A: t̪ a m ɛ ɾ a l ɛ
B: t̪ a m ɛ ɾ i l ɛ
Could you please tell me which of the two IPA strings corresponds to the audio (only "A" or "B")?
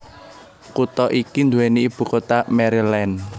B